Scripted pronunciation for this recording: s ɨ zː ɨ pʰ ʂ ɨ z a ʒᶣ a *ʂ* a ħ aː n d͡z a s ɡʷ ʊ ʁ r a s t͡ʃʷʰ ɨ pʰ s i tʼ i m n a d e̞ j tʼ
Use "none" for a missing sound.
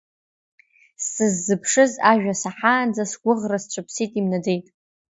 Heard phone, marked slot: s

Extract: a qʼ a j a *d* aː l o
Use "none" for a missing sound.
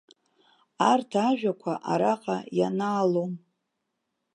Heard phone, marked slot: n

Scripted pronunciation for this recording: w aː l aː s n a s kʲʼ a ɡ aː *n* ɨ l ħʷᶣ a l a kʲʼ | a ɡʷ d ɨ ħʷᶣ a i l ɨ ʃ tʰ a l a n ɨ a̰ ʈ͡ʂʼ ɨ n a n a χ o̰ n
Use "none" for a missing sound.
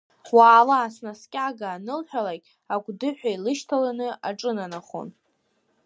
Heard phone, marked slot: n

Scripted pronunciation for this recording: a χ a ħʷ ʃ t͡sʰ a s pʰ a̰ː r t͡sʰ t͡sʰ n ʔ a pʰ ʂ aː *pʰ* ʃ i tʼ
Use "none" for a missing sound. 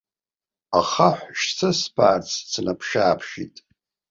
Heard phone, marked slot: pʰ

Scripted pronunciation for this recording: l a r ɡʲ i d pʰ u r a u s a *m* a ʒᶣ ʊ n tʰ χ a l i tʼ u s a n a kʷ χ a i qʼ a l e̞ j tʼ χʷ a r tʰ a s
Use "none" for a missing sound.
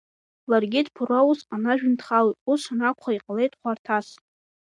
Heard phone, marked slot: n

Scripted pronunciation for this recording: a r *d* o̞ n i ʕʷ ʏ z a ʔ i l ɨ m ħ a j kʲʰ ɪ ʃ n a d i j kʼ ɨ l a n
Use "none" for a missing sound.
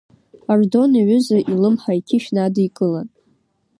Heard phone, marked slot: d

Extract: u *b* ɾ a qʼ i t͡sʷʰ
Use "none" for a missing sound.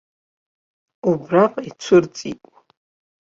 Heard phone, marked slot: b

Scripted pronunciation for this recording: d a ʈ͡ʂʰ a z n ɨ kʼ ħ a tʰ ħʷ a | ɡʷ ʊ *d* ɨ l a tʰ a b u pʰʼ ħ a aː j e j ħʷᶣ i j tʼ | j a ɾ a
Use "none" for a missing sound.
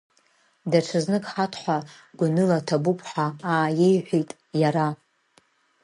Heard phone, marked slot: n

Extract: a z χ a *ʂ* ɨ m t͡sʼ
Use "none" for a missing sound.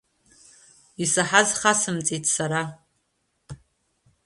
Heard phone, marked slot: s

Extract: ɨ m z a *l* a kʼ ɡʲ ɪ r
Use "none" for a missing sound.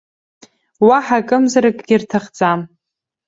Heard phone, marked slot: ɾ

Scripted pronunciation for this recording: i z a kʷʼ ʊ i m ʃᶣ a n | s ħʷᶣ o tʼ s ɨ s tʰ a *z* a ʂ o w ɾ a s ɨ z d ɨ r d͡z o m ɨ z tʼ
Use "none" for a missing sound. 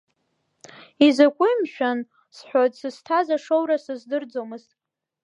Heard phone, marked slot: z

